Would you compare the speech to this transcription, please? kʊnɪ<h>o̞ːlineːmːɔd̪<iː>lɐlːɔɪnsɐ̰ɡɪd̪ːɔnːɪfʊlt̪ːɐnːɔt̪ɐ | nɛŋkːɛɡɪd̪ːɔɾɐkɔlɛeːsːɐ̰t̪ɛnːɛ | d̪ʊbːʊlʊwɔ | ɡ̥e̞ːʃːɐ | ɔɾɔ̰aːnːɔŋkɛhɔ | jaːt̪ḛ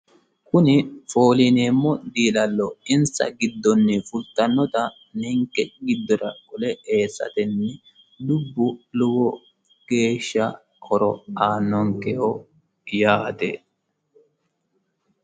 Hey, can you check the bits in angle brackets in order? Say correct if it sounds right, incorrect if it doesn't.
incorrect: f, correct

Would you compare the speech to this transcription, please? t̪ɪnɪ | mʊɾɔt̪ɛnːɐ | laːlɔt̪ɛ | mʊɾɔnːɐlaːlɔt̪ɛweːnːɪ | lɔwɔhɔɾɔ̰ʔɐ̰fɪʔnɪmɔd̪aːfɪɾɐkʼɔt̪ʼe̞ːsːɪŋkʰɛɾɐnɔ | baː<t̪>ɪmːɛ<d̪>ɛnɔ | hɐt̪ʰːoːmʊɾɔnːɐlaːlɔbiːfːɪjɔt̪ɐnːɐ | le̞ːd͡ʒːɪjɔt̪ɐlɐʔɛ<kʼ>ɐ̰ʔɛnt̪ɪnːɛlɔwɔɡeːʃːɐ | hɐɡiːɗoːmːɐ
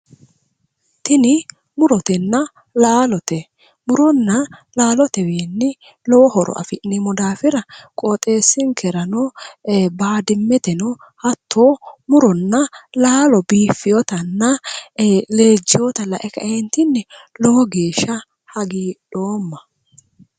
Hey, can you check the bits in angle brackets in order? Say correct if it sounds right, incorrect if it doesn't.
incorrect: d̪, incorrect: t̪, incorrect: k

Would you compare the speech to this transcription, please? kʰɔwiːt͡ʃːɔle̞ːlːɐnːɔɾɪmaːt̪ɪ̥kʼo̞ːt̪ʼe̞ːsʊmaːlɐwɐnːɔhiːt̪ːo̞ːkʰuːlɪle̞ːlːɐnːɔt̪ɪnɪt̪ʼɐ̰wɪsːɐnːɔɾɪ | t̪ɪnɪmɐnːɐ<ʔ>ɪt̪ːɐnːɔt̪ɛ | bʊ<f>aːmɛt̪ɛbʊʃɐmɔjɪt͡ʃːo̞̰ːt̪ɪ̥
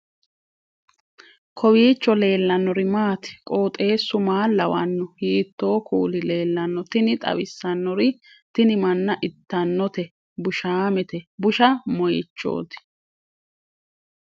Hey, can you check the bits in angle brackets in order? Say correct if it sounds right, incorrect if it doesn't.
correct, incorrect: ʃ

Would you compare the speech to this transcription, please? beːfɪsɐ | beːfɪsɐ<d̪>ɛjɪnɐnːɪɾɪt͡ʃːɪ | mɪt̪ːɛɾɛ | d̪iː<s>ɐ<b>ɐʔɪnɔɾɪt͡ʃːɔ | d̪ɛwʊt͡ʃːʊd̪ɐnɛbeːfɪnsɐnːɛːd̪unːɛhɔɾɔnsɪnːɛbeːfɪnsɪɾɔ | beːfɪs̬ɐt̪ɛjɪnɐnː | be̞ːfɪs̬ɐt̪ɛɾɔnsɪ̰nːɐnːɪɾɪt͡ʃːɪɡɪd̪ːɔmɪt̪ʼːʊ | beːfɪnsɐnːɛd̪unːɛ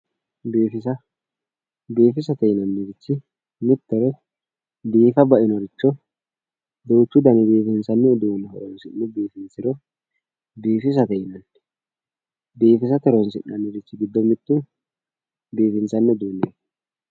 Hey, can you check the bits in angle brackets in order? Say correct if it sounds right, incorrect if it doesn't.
incorrect: t̪, incorrect: f, correct

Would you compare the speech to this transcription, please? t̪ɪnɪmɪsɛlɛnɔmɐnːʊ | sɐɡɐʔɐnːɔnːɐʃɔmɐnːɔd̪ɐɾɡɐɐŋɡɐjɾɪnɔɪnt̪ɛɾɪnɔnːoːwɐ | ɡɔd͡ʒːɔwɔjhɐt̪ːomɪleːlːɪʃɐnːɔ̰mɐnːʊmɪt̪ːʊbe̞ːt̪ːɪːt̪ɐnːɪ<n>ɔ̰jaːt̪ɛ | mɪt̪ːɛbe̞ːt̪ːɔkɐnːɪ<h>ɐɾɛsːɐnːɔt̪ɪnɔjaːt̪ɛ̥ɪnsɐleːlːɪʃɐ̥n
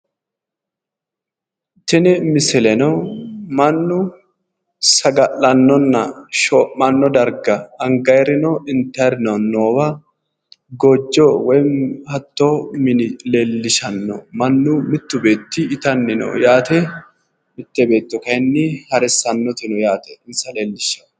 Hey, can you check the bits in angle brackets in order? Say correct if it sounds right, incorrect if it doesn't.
correct, correct

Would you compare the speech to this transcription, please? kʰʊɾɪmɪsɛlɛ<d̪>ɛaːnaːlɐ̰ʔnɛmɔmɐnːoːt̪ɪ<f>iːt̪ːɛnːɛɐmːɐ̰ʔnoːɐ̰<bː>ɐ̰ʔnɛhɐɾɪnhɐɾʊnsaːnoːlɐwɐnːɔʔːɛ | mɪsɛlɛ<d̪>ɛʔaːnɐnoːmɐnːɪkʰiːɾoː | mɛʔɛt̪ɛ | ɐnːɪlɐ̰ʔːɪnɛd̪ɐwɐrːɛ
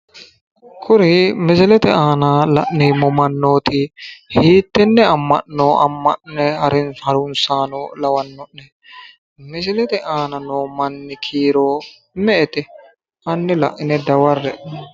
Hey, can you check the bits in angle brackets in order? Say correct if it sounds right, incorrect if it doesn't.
incorrect: t̪, incorrect: h, incorrect: mː, incorrect: t̪

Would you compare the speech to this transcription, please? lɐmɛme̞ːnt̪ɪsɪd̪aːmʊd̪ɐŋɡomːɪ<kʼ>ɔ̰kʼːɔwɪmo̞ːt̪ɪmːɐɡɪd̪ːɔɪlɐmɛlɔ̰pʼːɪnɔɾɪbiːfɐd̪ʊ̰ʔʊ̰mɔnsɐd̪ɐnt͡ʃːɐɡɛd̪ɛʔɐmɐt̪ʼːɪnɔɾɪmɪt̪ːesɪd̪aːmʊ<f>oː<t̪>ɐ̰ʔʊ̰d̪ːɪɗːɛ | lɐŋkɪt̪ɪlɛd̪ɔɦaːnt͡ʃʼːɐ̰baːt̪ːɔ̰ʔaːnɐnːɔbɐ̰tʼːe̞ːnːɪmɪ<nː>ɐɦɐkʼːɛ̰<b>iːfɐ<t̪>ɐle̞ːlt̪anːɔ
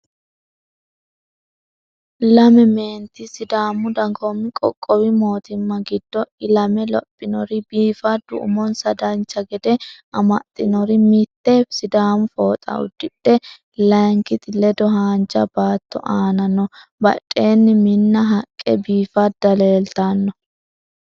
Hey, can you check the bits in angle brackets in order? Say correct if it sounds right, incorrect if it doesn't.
correct, correct, incorrect: t̪ʼ, correct, correct, incorrect: d̪

